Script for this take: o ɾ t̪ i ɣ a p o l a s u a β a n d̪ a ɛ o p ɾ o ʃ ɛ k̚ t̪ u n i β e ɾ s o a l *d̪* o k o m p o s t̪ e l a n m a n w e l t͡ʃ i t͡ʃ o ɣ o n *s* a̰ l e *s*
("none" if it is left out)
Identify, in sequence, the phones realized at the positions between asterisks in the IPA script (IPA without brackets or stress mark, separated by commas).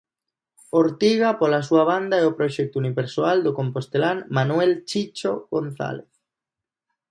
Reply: d̪, θ, θ